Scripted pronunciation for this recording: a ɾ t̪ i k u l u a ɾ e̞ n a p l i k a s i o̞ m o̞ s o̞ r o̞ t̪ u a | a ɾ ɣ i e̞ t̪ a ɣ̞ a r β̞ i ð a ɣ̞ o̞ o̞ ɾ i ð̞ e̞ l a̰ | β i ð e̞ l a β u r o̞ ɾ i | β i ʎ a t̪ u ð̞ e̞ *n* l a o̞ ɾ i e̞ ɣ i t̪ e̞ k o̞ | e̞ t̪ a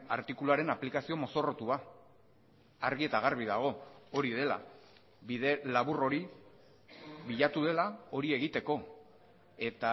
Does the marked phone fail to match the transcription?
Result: yes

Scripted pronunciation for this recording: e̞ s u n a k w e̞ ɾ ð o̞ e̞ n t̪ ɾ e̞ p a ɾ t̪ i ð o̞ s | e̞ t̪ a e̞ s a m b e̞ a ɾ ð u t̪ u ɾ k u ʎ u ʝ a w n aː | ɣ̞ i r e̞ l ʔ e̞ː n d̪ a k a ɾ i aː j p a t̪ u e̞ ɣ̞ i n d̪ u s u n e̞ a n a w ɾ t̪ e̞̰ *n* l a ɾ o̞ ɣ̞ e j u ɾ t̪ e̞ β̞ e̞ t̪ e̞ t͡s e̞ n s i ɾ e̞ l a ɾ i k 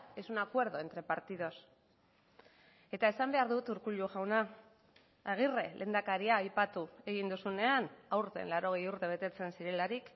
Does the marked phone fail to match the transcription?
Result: no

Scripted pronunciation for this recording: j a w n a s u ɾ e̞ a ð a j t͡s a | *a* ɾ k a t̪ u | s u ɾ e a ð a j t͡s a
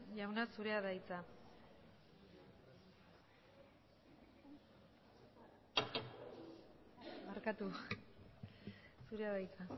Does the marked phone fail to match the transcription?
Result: no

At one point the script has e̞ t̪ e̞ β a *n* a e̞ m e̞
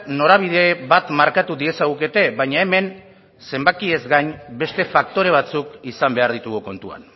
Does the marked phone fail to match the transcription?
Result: yes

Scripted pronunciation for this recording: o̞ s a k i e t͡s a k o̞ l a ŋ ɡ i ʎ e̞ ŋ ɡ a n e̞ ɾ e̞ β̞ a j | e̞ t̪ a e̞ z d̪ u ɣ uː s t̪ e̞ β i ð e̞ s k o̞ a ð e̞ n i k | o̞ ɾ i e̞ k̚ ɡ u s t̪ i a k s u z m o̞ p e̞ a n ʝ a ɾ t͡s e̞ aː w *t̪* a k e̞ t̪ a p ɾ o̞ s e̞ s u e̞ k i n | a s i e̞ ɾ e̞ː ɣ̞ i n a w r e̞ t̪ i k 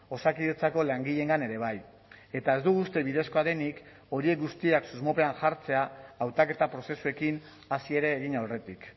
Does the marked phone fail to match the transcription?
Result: no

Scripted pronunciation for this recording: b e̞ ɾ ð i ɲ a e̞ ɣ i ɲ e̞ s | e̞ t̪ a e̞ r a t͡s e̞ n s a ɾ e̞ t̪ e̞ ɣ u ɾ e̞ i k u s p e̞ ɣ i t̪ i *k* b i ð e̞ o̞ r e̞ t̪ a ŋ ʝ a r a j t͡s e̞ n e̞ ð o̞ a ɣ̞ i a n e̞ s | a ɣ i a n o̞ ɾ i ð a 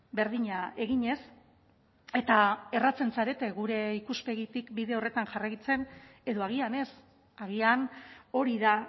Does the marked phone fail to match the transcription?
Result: no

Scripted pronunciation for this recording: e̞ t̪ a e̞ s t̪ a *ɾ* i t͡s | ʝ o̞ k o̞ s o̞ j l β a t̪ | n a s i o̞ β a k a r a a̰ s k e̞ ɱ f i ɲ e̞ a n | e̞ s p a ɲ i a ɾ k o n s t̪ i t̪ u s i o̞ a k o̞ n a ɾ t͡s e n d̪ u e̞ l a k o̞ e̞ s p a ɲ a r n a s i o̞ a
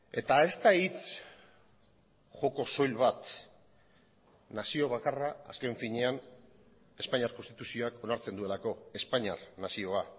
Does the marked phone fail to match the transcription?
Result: yes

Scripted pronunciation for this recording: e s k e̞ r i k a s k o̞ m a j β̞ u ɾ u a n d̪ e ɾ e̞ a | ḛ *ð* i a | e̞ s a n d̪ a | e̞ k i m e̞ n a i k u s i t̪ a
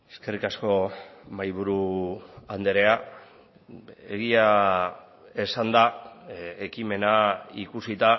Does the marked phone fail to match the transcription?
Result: yes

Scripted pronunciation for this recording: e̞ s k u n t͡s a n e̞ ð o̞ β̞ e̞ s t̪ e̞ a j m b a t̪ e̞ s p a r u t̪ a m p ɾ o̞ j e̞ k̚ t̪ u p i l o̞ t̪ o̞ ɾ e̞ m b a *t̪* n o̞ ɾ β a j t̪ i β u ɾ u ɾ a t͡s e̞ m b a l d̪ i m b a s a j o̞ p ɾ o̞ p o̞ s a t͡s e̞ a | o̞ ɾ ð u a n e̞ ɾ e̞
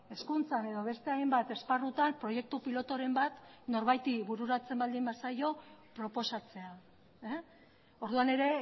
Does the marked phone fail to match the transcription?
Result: no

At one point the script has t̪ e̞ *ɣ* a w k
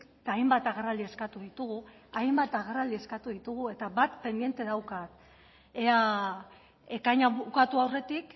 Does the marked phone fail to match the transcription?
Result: yes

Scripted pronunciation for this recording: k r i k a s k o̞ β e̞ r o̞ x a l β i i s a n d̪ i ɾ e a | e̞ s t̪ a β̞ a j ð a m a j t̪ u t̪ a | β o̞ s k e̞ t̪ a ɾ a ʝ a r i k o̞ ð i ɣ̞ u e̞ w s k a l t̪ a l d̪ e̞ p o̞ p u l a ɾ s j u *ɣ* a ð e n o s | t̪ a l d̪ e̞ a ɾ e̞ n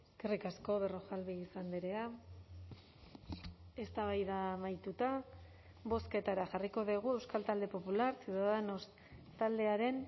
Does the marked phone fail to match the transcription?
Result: yes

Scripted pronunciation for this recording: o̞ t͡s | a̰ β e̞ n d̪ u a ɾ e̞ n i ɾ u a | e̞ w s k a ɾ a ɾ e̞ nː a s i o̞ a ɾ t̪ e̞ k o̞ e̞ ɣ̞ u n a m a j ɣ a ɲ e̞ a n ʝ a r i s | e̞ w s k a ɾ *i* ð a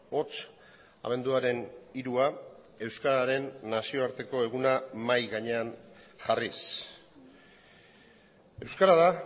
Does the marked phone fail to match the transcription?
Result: yes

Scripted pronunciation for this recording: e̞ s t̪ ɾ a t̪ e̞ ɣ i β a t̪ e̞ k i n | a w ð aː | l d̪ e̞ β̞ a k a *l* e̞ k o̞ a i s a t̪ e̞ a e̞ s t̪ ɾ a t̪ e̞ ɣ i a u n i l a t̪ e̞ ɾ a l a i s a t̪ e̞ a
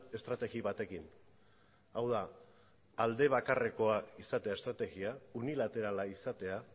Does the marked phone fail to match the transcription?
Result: yes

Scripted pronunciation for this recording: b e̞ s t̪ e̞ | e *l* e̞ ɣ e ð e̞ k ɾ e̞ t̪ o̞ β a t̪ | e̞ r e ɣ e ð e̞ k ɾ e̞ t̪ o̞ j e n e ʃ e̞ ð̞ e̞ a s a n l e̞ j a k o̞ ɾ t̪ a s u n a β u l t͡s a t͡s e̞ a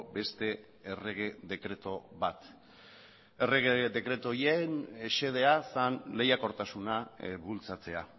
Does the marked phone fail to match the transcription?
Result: yes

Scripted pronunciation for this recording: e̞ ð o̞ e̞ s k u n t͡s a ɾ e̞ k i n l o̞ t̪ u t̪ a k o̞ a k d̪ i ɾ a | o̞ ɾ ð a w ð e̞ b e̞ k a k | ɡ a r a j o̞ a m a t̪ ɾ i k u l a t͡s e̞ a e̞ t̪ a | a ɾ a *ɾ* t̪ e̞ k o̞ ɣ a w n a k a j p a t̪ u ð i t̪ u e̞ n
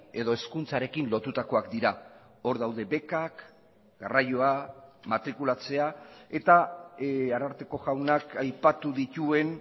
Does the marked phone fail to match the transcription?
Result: no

